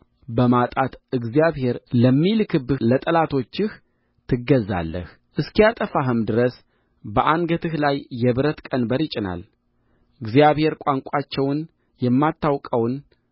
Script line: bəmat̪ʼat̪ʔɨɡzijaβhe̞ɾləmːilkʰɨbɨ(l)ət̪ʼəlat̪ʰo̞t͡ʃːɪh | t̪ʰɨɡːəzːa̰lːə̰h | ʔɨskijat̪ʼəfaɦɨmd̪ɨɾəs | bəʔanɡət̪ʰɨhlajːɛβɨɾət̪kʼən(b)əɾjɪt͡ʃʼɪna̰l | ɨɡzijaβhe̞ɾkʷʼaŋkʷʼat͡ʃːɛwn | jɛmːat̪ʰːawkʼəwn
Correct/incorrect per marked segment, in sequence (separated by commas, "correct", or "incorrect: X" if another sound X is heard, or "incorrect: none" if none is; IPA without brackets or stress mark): correct, correct